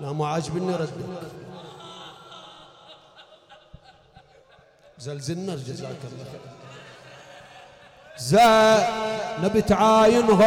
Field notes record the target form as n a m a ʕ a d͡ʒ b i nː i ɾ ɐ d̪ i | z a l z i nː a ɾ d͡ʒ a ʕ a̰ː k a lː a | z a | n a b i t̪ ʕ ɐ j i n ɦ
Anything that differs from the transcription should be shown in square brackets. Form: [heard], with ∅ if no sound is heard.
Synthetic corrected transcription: n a m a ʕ a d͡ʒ b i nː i ɾ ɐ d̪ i | z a l z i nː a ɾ d͡ʒ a [z] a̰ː k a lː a | z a | n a b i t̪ ʕ [a] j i n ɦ